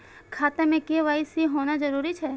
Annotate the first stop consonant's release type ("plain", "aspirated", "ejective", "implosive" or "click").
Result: aspirated